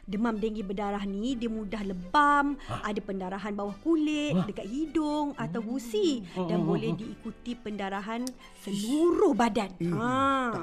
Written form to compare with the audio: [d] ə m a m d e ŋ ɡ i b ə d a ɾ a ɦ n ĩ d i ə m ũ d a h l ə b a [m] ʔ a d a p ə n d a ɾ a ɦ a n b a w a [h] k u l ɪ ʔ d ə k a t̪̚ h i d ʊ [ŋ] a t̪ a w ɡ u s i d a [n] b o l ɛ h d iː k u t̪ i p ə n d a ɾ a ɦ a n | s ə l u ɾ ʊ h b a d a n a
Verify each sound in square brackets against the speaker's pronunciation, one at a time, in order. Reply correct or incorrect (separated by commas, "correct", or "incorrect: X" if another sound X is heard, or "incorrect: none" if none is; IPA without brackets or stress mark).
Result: correct, correct, correct, correct, correct